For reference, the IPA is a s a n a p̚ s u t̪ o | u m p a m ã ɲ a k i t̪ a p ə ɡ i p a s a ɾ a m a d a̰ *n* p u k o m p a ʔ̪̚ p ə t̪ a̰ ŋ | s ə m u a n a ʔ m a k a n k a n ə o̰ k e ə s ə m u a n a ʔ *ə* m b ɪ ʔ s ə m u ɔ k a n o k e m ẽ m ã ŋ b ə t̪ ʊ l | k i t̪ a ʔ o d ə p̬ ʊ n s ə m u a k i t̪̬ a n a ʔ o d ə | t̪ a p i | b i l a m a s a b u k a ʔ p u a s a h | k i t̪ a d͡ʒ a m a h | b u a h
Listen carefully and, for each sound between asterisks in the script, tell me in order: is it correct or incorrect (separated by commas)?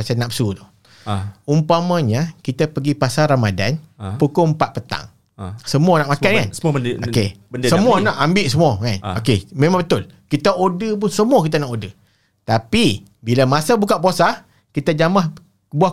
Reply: correct, incorrect